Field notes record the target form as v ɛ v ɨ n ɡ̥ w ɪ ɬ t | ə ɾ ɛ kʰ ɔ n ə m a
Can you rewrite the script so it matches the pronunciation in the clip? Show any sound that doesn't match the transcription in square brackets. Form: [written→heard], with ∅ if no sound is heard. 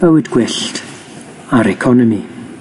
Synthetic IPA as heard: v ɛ [v→w] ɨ [n→d] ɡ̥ w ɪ ɬ t | [ə→a] ɾ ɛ kʰ ɔ n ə m [a→i]